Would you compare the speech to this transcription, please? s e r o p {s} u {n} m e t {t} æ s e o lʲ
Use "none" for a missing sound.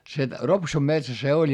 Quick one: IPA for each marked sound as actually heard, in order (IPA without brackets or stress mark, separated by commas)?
s, m, s